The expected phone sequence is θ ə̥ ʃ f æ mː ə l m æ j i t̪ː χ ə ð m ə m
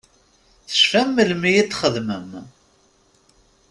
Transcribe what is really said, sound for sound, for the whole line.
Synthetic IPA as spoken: θ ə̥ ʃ f æ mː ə l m i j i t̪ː χ ə ð m ə m